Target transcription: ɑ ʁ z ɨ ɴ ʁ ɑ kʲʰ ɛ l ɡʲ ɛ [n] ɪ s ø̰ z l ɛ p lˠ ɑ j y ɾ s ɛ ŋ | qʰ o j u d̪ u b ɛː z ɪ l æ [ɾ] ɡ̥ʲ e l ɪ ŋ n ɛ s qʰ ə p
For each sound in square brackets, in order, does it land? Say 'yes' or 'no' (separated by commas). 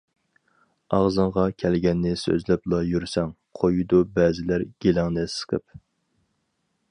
no, yes